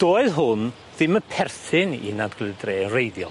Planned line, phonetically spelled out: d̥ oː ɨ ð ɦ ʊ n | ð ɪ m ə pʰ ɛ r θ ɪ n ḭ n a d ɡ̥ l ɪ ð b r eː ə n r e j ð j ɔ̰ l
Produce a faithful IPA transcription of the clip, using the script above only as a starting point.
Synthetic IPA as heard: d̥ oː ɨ ð ɦ ʊ n | ð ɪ m ə pʰ ɛ r θ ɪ n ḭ n a d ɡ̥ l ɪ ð d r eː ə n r e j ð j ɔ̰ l